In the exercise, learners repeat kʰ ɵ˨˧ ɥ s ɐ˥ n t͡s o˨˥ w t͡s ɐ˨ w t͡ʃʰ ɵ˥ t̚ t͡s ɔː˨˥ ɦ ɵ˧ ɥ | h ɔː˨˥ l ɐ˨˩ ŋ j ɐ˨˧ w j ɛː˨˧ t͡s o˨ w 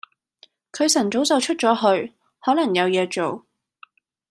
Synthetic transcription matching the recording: kʰ ɵ˨˧ ɥ s ɐ˨˩ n t͡s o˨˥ w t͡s ɐ˨ w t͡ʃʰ ɵ˥ t̚ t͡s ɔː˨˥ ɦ ɵ˧ ɥ | h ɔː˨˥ l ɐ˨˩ ŋ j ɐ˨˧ w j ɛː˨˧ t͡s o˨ w

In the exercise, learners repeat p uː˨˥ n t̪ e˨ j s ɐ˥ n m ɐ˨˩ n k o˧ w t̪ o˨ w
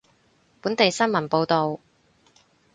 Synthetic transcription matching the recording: p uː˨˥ n t̪ e˨ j s ɐ˥ n m ɐ˨˩ n p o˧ w t̪ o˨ w

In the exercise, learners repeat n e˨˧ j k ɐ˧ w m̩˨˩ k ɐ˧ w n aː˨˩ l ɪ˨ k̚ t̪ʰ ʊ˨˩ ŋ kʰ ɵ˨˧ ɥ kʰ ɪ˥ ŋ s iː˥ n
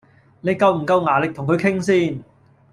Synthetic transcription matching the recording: n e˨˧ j k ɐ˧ w m̩˨˩ k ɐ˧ w ŋ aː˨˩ l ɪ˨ k̚ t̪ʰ ʊ˨˩ ŋ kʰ ɵ˨˧ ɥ kʰ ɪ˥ ŋ s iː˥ n

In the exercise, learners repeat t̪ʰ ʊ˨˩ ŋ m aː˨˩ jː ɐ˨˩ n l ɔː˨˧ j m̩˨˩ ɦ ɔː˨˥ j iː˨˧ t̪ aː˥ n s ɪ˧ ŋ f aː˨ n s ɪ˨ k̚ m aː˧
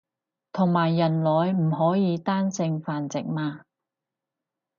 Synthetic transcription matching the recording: t̪ʰ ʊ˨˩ ŋ m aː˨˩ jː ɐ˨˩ n l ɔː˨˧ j m̩˨˩ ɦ ɔː˨˥ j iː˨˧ t̪ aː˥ n s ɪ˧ ŋ f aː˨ n t͡s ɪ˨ k̚ m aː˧

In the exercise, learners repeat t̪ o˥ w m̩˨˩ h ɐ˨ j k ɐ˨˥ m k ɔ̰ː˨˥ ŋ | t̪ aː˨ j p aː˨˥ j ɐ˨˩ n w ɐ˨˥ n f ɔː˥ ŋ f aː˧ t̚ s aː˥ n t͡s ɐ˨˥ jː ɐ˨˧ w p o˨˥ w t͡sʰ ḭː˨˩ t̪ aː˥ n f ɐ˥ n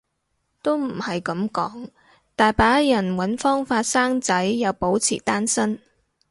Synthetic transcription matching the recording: t̪ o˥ w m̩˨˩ h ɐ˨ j k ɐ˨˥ m k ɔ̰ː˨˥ ŋ | t̪ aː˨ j p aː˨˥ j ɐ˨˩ n w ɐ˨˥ n f ɔː˥ ŋ f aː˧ t̚ s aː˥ ŋ t͡s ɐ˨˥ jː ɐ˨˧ w p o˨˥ w t͡sʰ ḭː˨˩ t̪ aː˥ n s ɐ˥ n

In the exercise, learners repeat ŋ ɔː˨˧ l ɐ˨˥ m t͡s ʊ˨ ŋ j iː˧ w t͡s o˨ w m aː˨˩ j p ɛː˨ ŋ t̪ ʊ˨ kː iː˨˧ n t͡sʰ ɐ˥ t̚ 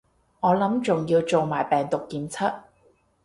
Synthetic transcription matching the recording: ŋ ɔː˨˧ l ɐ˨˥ m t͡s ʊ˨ ŋ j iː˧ w t͡s o˨ w m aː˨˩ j p ɛː˨ ŋ t̪ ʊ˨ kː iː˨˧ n t͡sʰ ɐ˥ t̚

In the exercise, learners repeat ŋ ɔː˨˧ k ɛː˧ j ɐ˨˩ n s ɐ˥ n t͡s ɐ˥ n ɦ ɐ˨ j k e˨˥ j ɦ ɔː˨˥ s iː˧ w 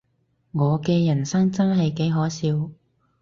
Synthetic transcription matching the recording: ŋ ɔː˨˧ k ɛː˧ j ɐ˨˩ n s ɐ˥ ŋ t͡s ɐ˥ n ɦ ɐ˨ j k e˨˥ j ɦ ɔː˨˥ s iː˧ w

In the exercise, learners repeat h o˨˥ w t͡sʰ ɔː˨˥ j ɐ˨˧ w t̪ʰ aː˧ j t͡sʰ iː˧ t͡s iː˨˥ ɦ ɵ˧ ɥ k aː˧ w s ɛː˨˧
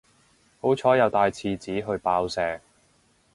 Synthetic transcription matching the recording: h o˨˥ w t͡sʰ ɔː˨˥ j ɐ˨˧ w t̪ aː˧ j t͡sʰ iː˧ t͡s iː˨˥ ɦ ɵ˧ ɥ p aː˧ w s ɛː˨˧

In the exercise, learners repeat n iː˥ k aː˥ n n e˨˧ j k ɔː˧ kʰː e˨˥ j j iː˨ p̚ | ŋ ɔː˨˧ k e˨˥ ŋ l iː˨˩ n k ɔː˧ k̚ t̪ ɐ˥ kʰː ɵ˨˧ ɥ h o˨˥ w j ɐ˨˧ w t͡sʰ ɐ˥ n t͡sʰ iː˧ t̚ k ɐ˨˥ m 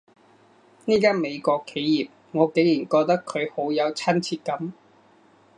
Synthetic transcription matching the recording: n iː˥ k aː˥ n m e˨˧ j k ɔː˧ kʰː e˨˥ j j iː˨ p̚ | ŋ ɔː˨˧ k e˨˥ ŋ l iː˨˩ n k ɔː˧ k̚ t̪ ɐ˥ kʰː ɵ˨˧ ɥ h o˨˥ w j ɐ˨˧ w t͡sʰ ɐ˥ n t͡sʰ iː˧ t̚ k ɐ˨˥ m

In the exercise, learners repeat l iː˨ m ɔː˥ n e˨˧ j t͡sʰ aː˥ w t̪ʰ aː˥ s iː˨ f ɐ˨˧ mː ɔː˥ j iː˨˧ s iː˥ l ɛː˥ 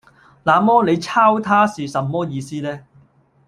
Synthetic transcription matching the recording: l aː˨ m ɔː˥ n e˨˧ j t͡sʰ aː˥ w t̪ʰ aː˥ s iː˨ s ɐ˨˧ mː ɔː˥ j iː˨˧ s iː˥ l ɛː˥

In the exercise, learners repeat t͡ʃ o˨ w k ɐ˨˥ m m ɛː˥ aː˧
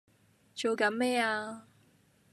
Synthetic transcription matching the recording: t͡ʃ o˨ w k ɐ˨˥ n m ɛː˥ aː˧

